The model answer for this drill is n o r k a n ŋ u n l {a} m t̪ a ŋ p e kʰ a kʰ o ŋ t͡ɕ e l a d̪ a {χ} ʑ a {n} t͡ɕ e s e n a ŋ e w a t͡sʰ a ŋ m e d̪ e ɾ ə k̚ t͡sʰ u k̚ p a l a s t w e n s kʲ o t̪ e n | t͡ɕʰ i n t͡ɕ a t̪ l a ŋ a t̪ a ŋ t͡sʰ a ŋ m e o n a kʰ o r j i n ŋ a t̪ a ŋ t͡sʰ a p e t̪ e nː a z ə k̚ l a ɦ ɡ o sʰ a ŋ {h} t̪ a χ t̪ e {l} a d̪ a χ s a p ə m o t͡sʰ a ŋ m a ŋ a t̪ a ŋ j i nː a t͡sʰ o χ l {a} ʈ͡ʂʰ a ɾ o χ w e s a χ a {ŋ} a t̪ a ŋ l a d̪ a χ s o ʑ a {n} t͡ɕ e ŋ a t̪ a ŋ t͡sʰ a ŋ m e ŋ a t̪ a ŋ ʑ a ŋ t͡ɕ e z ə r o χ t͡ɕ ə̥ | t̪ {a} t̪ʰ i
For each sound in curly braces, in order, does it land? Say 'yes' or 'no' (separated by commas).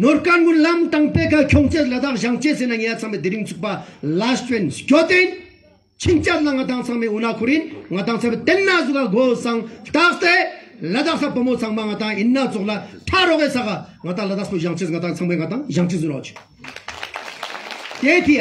yes, yes, no, yes, yes, yes, yes, no, no